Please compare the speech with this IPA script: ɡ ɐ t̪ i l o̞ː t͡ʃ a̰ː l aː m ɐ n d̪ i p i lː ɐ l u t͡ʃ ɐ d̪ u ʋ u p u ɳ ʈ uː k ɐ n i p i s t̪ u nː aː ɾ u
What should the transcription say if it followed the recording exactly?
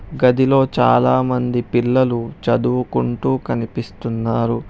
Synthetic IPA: ɡ ɐ d̪ i l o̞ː t͡ʃ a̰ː l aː m ɐ n d̪ i p i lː ɐ l u t͡ʃ ɐ d̪ u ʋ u k u ɳ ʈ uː k ɐ n i p i s t̪ u nː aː ɾ u